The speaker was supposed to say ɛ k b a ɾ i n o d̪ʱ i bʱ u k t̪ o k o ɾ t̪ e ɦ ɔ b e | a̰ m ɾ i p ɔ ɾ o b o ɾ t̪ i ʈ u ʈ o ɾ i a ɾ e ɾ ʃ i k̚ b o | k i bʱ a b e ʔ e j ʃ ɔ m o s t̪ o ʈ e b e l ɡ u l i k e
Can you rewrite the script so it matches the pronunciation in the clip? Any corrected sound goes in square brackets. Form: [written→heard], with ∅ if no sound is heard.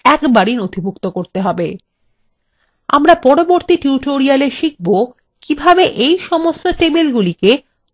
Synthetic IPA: ɛ k b a ɾ i n o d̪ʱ i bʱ u k t̪ o k o ɾ t̪ e ɦ ɔ b e | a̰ m ɾ [i→a] p ɔ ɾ o b o ɾ t̪ i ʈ u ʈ o ɾ i a [ɾ→l] e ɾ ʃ i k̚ b o | k i bʱ a b e ʔ e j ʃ ɔ m o s t̪ o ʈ e b e l ɡ u l i k e

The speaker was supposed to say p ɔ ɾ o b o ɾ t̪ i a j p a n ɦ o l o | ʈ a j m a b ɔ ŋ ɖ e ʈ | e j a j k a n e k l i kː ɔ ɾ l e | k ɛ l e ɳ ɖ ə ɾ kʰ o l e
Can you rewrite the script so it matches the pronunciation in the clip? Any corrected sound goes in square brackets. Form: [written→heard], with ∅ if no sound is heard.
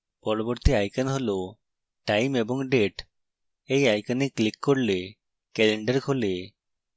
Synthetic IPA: p ɔ ɾ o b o ɾ t̪ i a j [p→k] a n ɦ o l o | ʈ a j m [a→e] b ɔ ŋ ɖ e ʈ | e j a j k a n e k l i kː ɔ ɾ l e | k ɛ l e ɳ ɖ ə ɾ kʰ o l e

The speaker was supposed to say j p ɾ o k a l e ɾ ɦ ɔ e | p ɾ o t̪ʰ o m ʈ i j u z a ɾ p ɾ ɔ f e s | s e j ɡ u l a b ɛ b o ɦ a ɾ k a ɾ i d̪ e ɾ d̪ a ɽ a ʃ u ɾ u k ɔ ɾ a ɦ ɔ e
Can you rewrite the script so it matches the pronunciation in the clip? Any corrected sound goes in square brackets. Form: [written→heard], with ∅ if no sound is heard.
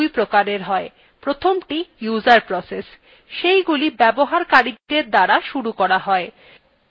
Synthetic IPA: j p ɾ o k a [l→ɾ] e ɾ ɦ ɔ e | p ɾ o t̪ʰ o m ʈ i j u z a ɾ p ɾ ɔ [f→s] e s | [s→ʃ] e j ɡ u l [a→i] b ɛ b o ɦ a ɾ k a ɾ i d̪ e ɾ d̪ a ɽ a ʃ u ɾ u k ɔ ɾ a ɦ ɔ e

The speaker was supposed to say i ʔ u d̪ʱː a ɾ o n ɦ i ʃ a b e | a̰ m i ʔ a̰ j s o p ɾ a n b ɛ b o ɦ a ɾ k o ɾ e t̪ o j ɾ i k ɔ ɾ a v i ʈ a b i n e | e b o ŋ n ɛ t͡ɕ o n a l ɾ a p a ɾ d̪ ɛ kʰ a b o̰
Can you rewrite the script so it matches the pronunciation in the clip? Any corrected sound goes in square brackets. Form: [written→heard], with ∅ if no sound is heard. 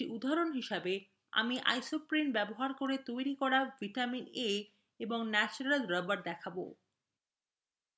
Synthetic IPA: i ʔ u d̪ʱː a ɾ o n ɦ i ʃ a b e | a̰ m i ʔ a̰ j s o p ɾ [a→i] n b ɛ b o ɦ a ɾ k o ɾ e t̪ o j ɾ i k ɔ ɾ a v i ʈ a [b→m] i n e | e b o ŋ n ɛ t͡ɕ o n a l ɾ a [p→b] a ɾ d̪ ɛ kʰ a b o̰

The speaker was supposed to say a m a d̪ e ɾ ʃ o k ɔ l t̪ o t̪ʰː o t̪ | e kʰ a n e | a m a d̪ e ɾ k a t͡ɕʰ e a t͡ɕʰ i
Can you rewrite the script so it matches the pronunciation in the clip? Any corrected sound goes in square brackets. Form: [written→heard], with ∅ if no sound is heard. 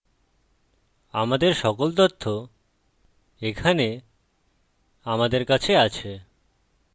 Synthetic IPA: a m a d̪ e ɾ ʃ [o→ɔ] k [ɔ→o] l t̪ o t̪ʰː o [t̪→∅] | e kʰ a n e | a m a d̪ e ɾ k a t͡ɕʰ e a t͡ɕʰ [i→e]

